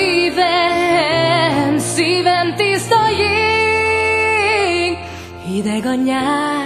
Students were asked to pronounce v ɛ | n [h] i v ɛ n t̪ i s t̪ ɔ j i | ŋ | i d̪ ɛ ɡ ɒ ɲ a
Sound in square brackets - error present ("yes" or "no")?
yes